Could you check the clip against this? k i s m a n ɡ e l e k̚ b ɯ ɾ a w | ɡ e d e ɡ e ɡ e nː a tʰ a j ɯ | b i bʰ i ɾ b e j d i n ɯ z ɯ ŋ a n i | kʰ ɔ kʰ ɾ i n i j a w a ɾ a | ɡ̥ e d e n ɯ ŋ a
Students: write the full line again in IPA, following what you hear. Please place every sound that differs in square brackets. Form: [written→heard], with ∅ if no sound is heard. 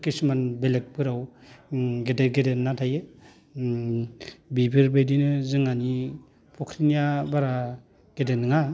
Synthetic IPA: k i s m a n [ɡ→b] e l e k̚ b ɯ ɾ a w | ɡ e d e ɡ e [ɡ→d] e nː a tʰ a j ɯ | b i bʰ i ɾ b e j d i n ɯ z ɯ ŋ a n i | [kʰ→pʰ] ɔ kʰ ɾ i n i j a [w→b] a ɾ a | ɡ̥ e d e n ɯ ŋ a